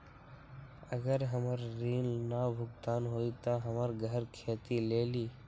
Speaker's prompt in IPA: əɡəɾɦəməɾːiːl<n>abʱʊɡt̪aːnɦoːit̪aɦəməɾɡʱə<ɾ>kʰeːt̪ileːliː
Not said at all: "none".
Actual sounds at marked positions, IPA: n, ɾ

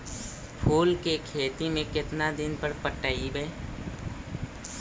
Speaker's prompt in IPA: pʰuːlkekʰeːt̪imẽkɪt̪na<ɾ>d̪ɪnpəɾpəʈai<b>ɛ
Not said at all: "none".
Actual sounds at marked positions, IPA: none, b

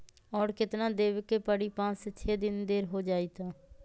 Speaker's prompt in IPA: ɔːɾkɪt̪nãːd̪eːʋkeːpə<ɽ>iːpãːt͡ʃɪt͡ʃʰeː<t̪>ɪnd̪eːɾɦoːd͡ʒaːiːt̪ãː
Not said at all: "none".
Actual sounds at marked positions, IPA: ɽ, d̪

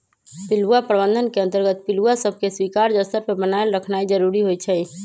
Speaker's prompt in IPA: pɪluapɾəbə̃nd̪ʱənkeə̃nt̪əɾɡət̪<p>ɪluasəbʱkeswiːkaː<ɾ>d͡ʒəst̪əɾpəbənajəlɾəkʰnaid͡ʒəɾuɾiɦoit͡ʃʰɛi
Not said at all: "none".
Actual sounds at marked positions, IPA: p, ɾ

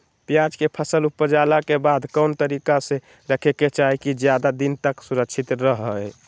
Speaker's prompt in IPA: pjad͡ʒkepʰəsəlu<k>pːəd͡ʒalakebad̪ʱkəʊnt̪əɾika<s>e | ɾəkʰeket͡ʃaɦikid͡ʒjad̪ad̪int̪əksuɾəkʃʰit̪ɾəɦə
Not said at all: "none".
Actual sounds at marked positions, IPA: none, s

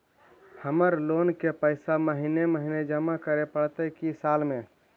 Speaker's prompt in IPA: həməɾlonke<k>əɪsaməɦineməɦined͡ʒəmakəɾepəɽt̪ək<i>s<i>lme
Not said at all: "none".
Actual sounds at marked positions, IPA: p, i, a

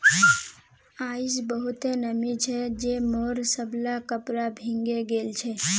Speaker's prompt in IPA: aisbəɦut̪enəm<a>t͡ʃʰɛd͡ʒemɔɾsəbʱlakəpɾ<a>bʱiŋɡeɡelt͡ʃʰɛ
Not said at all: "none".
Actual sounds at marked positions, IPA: i, a

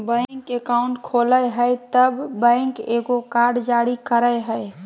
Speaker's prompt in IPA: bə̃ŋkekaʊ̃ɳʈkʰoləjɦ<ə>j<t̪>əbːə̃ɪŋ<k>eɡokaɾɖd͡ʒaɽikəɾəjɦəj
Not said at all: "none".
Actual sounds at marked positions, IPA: ə, t̪, k

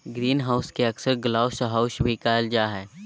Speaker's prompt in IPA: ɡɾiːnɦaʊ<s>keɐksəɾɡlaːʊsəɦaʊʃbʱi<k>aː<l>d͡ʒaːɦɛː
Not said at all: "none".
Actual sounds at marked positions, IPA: s, k, l

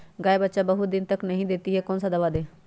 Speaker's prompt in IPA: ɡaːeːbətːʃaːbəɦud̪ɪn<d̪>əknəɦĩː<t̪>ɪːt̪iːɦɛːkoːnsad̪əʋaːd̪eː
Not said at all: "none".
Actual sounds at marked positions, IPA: t̪, d̪

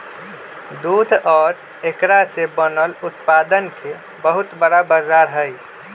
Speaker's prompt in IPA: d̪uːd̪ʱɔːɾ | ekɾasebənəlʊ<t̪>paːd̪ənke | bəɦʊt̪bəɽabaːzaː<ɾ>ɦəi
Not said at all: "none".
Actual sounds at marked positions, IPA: t̪, ɾ

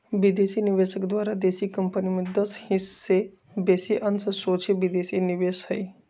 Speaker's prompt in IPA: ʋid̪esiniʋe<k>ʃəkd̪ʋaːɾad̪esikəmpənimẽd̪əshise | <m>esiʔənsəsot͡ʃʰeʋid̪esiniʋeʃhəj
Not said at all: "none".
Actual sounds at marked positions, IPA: none, b

